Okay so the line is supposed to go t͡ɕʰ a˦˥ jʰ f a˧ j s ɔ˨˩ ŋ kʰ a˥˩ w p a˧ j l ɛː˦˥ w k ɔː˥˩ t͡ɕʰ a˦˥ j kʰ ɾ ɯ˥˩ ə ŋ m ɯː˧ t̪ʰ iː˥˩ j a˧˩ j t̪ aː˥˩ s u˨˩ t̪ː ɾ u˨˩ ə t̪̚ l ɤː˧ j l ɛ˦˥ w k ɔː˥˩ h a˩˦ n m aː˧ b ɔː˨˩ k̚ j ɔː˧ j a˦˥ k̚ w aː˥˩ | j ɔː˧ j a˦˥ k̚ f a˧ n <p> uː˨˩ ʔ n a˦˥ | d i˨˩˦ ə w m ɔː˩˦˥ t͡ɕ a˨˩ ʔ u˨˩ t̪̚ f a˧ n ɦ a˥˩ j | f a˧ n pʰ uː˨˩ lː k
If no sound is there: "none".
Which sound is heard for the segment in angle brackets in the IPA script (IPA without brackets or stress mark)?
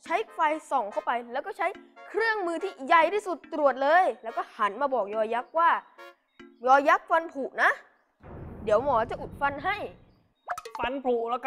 pʰ